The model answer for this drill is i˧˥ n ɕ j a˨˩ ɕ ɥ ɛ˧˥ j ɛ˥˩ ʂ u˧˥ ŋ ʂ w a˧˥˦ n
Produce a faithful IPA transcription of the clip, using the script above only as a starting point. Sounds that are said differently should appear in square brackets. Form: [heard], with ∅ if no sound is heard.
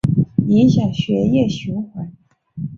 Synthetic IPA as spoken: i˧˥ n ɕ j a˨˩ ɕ ɥ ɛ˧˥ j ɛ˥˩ [ɕ] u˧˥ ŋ [x] w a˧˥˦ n